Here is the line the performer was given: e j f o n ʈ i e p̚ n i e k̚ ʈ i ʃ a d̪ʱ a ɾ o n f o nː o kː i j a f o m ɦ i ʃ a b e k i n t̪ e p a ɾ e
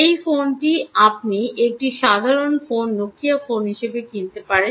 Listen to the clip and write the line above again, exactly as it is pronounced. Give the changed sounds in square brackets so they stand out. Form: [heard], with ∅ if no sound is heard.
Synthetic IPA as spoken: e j f o n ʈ i [a] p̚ n i e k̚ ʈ i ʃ a d̪ʱ a ɾ o n f o nː o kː i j a f o [n] ɦ i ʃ [e] b e k i n t̪ e p a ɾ e